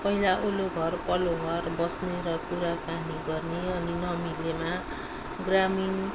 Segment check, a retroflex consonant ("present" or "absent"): absent